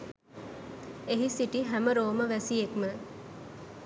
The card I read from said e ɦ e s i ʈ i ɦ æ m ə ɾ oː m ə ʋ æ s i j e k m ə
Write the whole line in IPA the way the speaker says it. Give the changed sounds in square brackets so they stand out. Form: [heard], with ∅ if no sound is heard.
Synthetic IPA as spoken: e ɦ [i] s i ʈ i ɦ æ m ə ɾ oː m ə ʋ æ s i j e k m ə